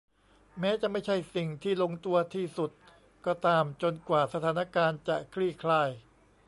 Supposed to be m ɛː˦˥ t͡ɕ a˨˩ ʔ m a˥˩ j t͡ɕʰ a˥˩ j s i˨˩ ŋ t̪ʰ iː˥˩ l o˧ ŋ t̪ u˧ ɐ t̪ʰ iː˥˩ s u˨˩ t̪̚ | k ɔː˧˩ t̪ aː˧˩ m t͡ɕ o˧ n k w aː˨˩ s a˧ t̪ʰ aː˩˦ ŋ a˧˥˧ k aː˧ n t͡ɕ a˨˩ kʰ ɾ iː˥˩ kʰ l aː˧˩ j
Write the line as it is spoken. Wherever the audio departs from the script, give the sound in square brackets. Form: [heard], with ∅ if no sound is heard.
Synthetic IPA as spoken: m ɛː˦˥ t͡ɕ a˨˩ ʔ m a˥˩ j t͡ɕʰ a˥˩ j s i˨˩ ŋ t̪ʰ iː˥˩ l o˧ ŋ t̪ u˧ ɐ t̪ʰ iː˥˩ s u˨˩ t̪̚ | k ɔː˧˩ t̪ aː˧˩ m t͡ɕ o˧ n k w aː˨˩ s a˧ t̪ʰ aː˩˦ [n] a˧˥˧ k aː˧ n t͡ɕ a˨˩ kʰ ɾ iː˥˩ kʰ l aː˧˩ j